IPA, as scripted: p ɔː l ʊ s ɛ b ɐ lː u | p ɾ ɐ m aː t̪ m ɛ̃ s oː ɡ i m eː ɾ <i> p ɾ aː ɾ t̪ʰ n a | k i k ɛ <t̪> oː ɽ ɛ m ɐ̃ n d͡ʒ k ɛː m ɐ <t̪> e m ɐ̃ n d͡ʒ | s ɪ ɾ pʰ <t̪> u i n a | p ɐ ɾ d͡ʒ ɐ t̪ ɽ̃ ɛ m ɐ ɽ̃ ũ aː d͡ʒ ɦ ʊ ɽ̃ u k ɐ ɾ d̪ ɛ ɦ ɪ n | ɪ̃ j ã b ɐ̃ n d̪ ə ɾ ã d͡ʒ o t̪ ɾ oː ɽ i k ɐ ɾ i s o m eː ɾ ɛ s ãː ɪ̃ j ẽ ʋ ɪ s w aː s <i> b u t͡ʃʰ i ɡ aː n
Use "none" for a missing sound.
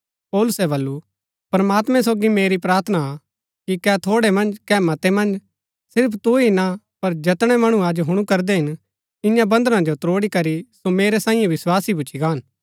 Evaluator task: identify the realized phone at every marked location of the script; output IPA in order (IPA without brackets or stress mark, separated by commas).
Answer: i, t̪ʰ, t̪, t̪, i